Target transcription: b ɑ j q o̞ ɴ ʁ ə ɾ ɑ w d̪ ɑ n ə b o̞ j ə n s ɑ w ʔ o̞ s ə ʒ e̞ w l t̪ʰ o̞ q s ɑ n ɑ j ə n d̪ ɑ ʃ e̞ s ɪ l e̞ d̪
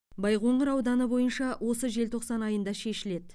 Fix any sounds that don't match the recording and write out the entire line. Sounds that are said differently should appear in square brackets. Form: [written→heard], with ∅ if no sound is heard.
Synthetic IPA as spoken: b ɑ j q o̞ ɴ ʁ ə ɾ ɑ w d̪ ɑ n ə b o̞ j ə n [s→ʃ] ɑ w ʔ o̞ s ə ʒ e̞ [w→∅] l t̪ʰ o̞ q s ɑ n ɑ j ə n d̪ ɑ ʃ e̞ [s→ʃ] ɪ l e̞ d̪